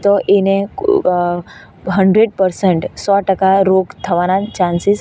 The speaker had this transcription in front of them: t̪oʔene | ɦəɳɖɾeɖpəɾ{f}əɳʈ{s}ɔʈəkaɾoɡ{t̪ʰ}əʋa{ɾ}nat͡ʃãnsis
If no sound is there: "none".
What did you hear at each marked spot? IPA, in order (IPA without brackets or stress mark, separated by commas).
s, s, t̪ʰ, none